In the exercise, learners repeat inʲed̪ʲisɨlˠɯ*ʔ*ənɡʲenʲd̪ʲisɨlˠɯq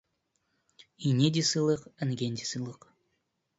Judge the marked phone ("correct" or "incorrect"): incorrect